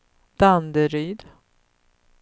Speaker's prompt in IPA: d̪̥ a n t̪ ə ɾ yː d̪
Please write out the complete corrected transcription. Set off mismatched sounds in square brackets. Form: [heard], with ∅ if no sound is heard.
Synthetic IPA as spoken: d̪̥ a n [d̪] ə ɾ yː d̪